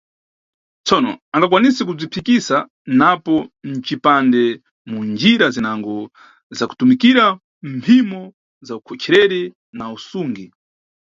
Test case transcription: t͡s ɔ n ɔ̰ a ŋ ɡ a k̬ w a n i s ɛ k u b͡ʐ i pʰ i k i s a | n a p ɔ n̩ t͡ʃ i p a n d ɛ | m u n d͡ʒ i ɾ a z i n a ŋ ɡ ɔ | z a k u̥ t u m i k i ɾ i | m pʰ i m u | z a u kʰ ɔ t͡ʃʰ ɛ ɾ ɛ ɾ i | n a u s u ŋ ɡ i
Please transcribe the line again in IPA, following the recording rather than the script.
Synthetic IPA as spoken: t͡s ɔ n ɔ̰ a ŋ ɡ a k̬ w a n i s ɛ k u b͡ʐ i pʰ i k i s a | n a p ɔ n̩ t͡ʃ i p a n d ɛ | m u n d͡ʒ i ɾ a z i n a ŋ ɡ ɔ | z a k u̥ t u m i k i ɾ a | m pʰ i m ɔ | z a u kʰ ɔ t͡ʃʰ ɛ ɾ ɛ ɾ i | n a u s u ŋ ɡ i